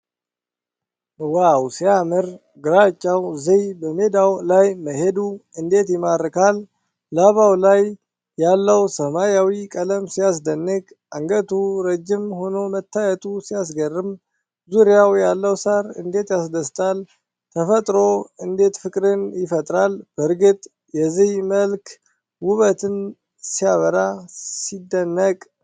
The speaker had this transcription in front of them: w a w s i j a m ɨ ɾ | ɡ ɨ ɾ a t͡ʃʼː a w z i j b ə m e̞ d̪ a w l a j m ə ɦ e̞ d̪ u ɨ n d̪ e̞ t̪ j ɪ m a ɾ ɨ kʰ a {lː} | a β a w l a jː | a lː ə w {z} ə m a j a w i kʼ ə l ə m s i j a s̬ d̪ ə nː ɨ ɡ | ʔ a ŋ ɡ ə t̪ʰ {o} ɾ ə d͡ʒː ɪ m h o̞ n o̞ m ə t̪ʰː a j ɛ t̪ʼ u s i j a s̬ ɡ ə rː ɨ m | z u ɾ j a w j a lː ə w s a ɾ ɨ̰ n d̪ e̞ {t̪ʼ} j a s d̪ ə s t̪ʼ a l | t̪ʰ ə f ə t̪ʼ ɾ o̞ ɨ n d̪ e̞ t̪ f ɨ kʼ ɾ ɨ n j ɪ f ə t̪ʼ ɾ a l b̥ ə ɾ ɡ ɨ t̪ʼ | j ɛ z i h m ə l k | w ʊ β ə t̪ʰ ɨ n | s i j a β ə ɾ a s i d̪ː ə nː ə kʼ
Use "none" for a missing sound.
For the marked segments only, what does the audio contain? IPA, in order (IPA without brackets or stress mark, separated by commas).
lː, s, u, t̪